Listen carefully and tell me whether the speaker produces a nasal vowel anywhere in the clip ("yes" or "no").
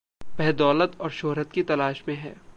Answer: yes